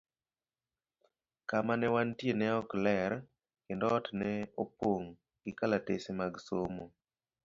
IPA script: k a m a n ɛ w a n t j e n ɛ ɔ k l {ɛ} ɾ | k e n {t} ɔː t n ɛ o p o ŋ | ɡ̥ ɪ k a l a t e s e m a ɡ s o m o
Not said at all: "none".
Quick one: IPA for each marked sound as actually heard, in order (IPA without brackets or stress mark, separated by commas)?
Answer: ɛ, d